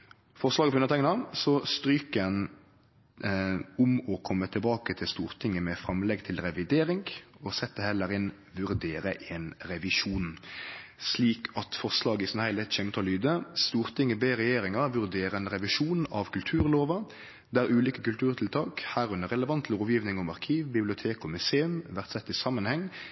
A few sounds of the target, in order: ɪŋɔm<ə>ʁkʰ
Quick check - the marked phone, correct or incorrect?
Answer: incorrect